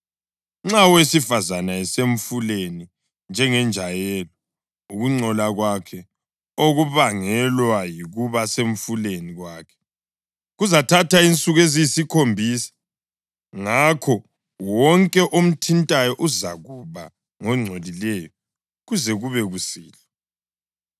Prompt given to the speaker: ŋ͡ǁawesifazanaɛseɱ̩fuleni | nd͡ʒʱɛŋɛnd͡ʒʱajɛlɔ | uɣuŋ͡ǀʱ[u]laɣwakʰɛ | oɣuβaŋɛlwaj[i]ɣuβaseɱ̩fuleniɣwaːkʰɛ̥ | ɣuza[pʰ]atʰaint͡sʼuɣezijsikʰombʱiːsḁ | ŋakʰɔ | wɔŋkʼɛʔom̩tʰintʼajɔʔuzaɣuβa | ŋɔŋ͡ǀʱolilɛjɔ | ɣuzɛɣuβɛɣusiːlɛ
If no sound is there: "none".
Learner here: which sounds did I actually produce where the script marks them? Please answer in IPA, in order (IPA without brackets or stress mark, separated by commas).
ɔ, i, tʰ